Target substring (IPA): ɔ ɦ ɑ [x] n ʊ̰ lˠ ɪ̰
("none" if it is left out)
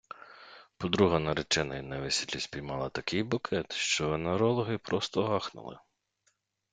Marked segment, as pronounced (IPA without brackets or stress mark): x